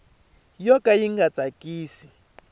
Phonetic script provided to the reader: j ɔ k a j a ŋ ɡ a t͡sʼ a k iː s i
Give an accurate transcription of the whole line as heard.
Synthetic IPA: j ɔ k a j i ŋ ɡ a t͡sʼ a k iː s i